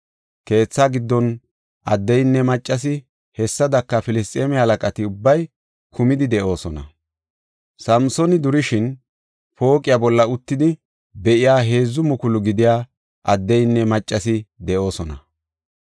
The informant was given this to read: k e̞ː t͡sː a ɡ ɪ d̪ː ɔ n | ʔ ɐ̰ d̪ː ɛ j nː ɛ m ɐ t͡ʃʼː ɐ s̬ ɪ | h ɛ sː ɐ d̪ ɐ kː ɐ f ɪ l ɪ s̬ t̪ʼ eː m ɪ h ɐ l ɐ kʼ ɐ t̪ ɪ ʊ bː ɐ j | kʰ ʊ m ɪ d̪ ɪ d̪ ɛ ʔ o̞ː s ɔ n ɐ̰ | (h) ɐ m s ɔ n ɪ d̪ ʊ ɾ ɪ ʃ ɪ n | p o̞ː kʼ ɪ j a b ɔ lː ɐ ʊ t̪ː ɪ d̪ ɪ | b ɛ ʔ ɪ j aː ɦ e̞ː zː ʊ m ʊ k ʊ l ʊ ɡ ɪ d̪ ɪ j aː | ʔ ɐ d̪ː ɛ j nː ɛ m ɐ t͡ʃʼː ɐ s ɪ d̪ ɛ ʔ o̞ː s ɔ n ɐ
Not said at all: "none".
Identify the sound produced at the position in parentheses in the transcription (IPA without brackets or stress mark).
s